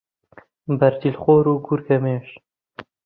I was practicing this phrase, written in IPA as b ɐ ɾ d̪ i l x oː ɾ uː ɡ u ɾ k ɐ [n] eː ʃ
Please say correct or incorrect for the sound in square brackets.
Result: incorrect